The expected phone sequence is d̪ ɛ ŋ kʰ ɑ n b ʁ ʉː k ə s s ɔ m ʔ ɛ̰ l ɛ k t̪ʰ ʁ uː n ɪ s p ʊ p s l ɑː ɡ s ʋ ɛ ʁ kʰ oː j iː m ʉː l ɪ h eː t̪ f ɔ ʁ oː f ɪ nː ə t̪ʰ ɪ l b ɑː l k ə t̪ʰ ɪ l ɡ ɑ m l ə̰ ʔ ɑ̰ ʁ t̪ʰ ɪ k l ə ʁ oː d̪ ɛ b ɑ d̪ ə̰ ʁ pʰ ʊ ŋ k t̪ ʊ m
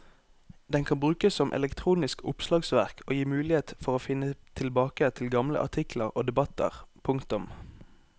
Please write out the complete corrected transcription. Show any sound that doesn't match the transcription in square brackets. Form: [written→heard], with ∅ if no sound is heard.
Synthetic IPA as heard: d̪ ɛ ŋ kʰ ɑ n b ʁ ʉː k ə s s ɔ m ʔ ɛ̰ l ɛ k t̪ʰ ʁ uː n ɪ s [p→k] ʊ p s l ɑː ɡ s ʋ [ɛ→æ] ʁ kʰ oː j iː m ʉː l ɪ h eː t̪ f ɔ ʁ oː f ɪ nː ə t̪ʰ ɪ l b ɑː [l→∅] k ə t̪ʰ ɪ l ɡ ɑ m l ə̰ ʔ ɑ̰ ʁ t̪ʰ ɪ k l ə ʁ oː d̪ ɛ b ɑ [d̪→t̪] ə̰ ʁ pʰ ʊ ŋ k t̪ ʊ m